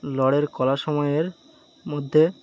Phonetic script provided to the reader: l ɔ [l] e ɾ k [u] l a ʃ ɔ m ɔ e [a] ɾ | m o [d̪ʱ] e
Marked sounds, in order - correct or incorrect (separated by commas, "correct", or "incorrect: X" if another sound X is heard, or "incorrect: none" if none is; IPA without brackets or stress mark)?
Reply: incorrect: ɽ, incorrect: ɔ, incorrect: e, incorrect: d̪ʱː